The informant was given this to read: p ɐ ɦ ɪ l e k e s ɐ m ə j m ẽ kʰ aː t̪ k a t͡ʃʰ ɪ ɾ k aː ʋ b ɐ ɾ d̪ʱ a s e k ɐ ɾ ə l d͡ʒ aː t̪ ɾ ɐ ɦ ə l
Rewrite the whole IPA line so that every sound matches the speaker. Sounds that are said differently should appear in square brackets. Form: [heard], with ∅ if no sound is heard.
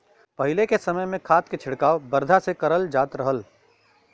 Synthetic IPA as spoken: p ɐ ɦ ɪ l e k e s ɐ m ə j m ẽ kʰ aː t̪ k [e] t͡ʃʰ ɪ [ɽ] k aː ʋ b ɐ ɾ d̪ʱ a s e k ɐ ɾ ə l d͡ʒ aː t̪ ɾ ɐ ɦ ə l

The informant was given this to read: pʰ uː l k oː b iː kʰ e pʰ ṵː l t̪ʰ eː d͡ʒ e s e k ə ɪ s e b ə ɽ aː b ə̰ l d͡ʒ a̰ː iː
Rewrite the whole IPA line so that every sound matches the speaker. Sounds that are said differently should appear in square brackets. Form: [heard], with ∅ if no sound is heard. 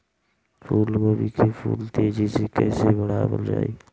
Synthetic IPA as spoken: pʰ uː l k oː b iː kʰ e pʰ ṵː l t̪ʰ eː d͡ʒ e s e k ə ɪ s e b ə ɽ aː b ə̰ l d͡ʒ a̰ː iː

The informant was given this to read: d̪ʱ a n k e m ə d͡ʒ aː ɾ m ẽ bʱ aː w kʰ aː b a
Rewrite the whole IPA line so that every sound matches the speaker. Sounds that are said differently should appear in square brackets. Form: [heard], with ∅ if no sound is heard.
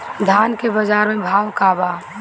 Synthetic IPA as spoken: d̪ʱ a n k e [b] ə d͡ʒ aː ɾ m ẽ bʱ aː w [k] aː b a

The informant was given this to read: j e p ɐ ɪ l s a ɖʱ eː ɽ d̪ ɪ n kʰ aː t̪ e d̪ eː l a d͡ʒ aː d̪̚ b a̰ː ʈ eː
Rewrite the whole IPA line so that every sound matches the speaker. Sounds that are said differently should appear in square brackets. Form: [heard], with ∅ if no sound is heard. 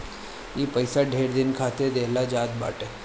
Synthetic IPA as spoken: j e p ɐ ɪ [∅] s a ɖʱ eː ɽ d̪ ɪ n kʰ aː t̪ e d̪ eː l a d͡ʒ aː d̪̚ b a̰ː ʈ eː

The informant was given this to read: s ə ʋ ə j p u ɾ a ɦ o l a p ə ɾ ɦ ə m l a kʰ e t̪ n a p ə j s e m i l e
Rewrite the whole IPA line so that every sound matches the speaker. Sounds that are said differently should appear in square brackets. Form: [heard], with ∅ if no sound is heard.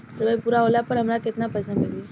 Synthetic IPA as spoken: s ə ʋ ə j p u ɾ a ɦ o l a p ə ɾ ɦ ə m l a [k] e t̪ n a p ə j s [a] m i l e

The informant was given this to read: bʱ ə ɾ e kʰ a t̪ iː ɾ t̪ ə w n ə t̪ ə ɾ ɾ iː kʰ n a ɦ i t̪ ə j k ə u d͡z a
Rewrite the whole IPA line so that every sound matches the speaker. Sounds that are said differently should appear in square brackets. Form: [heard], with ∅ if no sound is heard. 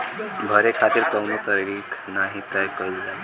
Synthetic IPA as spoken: bʱ ə ɾ e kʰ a t̪ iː ɾ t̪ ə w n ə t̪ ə ɾ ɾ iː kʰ n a ɦ i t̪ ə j k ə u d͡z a

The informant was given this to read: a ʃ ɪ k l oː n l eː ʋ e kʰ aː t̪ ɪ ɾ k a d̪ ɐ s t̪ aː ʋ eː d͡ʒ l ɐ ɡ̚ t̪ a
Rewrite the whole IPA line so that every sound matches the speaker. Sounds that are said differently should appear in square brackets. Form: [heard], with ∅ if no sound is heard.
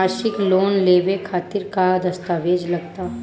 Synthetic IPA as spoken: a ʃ ɪ k l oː n l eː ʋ e kʰ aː t̪ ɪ ɾ k a d̪ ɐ s t̪ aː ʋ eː d͡ʒ l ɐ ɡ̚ t̪ a

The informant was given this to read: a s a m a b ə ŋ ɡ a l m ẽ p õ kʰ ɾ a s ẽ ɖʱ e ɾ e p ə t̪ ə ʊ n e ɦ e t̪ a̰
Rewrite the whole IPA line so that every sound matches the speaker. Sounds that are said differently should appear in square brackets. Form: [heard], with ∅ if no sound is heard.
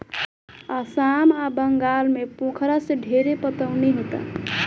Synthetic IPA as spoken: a s a m a b ə ŋ ɡ a l m [e] p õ kʰ ɾ a s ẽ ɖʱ e ɾ e p ə t̪ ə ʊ n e ɦ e t̪ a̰

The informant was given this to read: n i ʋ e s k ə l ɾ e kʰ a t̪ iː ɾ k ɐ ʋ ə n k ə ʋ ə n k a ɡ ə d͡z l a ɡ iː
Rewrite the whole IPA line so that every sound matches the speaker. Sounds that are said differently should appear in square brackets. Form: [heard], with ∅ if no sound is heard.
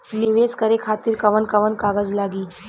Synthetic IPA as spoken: n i ʋ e s k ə [∅] ɾ e kʰ a t̪ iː ɾ k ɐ ʋ ə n k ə ʋ ə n k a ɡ ə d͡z l a ɡ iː

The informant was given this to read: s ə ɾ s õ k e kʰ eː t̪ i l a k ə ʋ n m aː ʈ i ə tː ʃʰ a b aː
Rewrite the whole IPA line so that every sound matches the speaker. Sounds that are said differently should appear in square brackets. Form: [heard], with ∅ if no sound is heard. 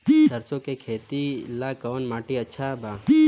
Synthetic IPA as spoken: s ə ɾ s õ k e kʰ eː t̪ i l a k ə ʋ n m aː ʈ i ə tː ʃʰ a b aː

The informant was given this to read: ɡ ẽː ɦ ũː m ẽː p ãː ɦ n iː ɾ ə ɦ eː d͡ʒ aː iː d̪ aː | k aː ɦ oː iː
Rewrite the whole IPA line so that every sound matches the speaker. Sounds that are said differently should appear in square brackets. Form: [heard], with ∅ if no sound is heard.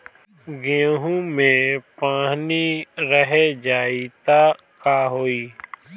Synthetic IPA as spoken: ɡ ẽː ɦ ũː m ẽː p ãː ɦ n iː ɾ ə ɦ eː d͡ʒ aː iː [t̪] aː | k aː ɦ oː iː

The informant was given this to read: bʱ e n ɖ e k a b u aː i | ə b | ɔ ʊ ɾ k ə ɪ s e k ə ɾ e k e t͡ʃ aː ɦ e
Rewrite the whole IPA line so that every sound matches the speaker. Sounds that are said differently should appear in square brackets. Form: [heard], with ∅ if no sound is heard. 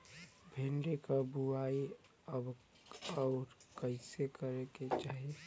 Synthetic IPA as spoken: bʱ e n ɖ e k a b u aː i | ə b | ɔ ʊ ɾ k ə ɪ s e k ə ɾ e k e t͡ʃ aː ɦ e

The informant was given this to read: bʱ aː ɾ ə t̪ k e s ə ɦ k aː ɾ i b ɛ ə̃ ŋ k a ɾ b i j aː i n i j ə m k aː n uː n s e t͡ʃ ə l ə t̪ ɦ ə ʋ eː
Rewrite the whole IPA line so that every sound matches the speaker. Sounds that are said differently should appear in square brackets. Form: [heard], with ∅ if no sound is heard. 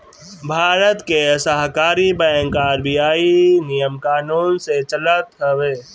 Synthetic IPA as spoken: bʱ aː ɾ ə t̪ k e s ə ɦ k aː ɾ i b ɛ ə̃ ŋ k a ɾ b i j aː i n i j ə m k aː n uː n s e t͡ʃ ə l ə t̪ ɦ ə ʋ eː

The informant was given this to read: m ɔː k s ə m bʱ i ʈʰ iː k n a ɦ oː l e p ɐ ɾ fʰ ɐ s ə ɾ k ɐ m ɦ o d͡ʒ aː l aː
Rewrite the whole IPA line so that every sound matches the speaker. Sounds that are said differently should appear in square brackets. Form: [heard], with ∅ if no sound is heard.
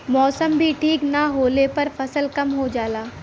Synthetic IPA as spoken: m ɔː [∅] s ə m bʱ i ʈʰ iː k n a ɦ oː l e p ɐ ɾ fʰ ɐ s ə [l] k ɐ m ɦ o d͡ʒ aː l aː

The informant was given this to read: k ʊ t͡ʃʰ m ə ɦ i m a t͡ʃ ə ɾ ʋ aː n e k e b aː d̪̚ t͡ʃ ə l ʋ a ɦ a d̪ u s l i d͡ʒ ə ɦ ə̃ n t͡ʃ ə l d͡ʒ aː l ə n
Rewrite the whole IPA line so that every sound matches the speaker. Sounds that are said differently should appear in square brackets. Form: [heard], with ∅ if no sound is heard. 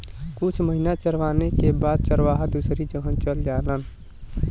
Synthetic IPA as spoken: k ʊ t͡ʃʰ m ə ɦ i [n] a t͡ʃ ə ɾ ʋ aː n e k e b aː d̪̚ t͡ʃ ə [ɾ] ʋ a ɦ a d̪ u s [ɾ] i d͡ʒ ə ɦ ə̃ n t͡ʃ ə l d͡ʒ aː l ə n

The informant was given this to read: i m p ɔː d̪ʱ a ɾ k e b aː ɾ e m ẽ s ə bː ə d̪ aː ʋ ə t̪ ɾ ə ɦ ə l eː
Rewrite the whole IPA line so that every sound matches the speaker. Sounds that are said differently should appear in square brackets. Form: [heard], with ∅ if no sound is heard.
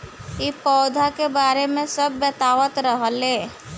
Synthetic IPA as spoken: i [∅] p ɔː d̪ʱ a [∅] k e b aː ɾ e m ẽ s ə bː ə [t̪] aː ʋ ə t̪ ɾ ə ɦ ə l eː

